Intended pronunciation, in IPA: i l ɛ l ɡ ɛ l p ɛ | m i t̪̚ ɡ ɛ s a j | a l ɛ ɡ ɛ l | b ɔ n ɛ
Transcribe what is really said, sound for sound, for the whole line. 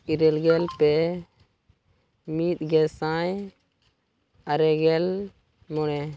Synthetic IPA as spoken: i ɾ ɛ l ɡ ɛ l p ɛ | m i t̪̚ ɡ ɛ s a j | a ɾ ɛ ɡ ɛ l | m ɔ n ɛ

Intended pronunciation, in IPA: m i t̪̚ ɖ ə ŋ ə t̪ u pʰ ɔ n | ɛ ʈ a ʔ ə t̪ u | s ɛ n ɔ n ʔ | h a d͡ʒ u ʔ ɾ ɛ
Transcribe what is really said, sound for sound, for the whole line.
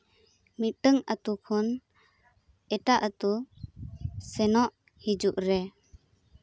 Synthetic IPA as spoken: m i t̪̚ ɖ ə ŋ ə t̪ u kʰ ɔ n | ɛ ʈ a ʔ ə t̪ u | s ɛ n ɔ ʔ | h i d͡ʒ u ʔ ɾ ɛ

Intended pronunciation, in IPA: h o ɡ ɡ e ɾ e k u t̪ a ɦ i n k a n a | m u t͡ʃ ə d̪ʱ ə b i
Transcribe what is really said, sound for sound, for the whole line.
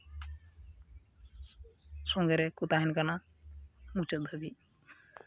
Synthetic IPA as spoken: s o ŋ ɡ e ɾ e k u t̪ a ɦ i n k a n a | m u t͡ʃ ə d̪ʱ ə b i

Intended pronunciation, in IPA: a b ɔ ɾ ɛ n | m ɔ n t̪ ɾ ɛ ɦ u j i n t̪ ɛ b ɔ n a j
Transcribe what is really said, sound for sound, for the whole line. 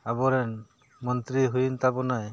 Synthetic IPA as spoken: a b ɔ ɾ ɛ n | m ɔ n t̪ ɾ i ɦ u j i n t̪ a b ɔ n a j

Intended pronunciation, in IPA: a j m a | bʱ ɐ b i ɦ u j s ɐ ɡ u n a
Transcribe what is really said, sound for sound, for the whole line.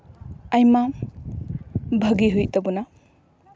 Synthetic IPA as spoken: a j m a | bʱ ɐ ɡ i ɦ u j t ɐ b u n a

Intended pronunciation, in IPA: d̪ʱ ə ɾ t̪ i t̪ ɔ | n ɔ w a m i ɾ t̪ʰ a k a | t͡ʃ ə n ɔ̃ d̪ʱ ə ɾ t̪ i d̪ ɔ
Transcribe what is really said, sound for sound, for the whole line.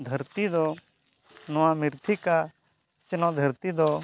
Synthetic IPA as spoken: d̪ʱ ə ɾ t̪ i d̪ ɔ | n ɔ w a m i ɾ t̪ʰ i k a | t͡ʃ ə n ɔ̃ d̪ʱ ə ɾ t̪ i d̪ ɔ

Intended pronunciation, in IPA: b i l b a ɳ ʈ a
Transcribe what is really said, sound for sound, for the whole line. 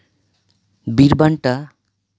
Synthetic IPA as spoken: b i ɾ b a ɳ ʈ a

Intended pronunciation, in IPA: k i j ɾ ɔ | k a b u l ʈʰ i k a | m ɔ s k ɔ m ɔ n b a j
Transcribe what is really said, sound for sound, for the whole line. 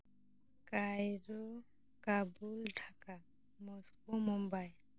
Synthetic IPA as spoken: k a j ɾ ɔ | k a b u l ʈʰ a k a | m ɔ s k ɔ m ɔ m b a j

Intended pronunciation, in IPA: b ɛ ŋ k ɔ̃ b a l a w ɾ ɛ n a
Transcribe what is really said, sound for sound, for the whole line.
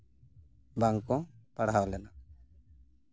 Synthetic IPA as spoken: b a ŋ k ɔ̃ p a ɽ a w l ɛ n a

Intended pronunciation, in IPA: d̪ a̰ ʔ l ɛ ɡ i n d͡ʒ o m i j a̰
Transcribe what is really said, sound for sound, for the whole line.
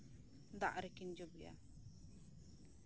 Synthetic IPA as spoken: d̪ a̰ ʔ ɾ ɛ k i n d͡ʒ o b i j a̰

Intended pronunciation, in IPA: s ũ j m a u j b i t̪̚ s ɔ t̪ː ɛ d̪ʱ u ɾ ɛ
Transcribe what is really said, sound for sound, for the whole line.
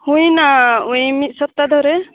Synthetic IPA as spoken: h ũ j n a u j m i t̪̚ s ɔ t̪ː a d̪ʱ ɔ ɾ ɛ

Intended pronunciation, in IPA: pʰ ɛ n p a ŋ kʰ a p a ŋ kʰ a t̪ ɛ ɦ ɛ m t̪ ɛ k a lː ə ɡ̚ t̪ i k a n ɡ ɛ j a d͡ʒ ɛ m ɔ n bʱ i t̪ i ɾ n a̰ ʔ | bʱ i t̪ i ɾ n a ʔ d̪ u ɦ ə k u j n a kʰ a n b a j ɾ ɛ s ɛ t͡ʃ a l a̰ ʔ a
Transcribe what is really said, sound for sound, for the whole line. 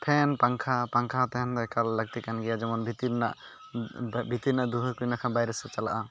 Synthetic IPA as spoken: pʰ ɛ n p a ŋ kʰ a p a ŋ kʰ a t̪ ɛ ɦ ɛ n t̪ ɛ k a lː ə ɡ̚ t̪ i k a n ɡ ɛ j a d͡ʒ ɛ m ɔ n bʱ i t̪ i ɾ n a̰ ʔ | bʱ i t̪ i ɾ n a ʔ d̪ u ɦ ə k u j n a kʰ a n b a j ɾ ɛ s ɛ t͡ʃ a l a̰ ʔ a

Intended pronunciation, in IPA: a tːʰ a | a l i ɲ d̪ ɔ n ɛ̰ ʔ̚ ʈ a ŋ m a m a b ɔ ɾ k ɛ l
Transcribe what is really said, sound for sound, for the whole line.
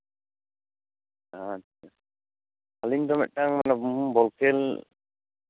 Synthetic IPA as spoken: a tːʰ a | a l i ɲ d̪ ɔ m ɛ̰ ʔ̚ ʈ a ŋ m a n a b ɔ l k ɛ l

